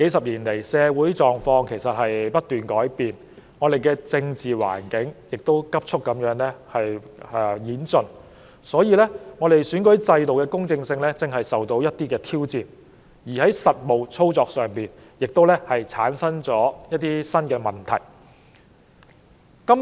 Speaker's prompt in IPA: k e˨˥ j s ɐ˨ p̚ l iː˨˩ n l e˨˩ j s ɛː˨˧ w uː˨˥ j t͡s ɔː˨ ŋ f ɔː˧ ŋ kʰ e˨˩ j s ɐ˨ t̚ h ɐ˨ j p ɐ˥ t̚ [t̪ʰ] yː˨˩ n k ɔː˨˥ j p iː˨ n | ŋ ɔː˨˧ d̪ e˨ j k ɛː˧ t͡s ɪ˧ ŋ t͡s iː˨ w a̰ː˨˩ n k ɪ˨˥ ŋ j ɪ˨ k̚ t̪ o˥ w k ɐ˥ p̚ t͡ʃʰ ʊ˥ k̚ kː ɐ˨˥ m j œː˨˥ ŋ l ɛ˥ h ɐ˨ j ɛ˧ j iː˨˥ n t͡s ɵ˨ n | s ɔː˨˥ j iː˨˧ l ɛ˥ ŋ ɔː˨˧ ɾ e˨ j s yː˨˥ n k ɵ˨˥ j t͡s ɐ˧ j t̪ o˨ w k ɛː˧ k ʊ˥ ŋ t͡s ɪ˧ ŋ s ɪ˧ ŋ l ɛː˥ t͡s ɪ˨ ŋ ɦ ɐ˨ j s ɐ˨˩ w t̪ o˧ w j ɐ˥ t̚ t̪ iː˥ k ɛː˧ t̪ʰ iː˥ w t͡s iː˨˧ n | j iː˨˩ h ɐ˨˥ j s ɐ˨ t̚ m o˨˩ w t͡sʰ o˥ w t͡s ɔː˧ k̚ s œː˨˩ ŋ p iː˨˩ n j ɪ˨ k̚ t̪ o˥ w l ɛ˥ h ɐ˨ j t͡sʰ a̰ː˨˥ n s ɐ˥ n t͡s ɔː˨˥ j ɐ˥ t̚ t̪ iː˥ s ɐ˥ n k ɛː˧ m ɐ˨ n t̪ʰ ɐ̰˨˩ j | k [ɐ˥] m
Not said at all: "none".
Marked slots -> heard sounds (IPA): t̪, ɐ˥

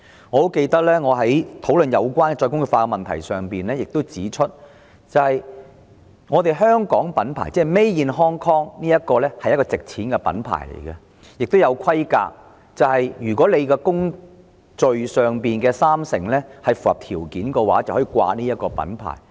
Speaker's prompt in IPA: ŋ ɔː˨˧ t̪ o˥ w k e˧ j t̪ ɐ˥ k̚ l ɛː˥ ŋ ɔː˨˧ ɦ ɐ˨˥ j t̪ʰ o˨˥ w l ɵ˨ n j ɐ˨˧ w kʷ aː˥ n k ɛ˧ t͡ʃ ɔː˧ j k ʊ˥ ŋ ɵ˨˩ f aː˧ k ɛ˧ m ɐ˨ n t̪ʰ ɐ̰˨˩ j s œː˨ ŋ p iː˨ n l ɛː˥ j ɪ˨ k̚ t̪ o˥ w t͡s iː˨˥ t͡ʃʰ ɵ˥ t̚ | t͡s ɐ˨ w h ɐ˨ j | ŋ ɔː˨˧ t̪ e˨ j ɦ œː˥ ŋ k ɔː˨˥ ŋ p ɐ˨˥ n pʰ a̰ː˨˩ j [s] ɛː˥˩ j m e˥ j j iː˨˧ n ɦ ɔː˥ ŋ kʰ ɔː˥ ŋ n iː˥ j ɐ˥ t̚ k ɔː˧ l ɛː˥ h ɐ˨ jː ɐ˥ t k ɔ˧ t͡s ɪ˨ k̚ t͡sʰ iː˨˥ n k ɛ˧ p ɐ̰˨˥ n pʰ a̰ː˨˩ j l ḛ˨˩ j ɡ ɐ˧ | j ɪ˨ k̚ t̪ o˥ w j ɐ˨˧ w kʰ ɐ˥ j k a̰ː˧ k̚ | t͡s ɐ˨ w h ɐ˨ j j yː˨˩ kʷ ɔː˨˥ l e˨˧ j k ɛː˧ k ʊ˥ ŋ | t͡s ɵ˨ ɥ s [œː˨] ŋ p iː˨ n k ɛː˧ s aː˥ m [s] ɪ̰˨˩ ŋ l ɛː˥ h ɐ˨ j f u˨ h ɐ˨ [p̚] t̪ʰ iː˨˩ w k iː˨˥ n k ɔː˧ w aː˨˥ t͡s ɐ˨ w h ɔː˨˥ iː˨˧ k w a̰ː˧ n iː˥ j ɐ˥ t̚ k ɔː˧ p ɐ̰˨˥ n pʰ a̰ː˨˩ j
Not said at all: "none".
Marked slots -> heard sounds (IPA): t͡s, œː˨, s, p̚

